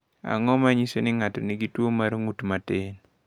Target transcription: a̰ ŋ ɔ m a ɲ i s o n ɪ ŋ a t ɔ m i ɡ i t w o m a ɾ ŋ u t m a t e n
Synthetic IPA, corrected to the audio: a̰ ŋ ɔ m a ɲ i s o n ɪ ŋ a t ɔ n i ɡ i t w o m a ɾ ŋ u t m a t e n